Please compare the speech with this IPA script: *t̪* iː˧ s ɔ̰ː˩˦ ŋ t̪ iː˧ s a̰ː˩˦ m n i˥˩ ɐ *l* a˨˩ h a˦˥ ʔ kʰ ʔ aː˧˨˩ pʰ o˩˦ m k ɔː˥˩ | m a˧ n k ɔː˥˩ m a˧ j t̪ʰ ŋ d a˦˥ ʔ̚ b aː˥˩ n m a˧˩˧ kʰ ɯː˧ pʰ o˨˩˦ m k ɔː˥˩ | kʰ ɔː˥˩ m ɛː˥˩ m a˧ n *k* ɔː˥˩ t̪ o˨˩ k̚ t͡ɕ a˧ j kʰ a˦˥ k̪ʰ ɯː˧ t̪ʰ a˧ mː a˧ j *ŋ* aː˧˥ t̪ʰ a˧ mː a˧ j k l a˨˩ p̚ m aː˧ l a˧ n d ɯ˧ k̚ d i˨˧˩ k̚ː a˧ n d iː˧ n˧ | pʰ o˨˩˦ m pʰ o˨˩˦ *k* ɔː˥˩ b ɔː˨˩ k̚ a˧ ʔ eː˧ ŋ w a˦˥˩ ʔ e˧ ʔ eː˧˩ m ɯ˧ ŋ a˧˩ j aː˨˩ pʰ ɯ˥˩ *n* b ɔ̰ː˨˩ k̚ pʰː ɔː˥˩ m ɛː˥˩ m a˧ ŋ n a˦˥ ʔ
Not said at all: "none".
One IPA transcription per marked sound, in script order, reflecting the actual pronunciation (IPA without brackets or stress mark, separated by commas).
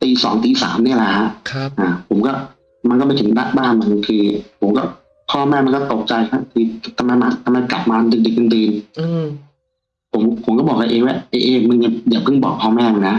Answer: t̪, l, k, m, k, ŋ